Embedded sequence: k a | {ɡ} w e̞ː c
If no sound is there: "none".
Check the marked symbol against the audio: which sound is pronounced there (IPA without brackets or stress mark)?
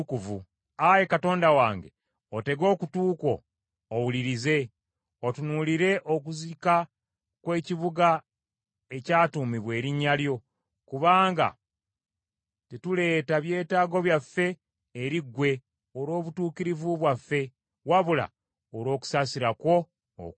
k